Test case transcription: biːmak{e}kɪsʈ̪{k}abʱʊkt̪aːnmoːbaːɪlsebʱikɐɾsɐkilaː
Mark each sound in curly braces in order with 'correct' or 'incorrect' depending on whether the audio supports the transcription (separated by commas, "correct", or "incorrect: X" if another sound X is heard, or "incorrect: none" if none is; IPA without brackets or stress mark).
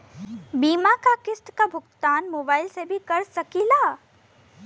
incorrect: a, correct